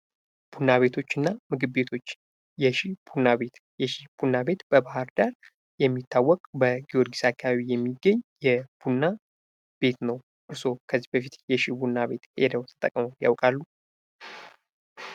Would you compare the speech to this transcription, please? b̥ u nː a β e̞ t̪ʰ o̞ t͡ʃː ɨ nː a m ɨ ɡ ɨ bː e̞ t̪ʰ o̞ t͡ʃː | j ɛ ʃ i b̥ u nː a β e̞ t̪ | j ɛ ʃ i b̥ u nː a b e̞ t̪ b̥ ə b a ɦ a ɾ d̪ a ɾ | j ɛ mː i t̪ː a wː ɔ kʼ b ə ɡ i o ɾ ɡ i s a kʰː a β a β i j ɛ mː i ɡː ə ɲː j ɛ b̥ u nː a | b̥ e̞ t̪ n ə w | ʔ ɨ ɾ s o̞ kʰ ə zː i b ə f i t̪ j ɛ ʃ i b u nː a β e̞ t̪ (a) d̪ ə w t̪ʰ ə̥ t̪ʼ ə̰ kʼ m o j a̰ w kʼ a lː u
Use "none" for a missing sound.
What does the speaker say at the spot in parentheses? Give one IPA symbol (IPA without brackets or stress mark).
e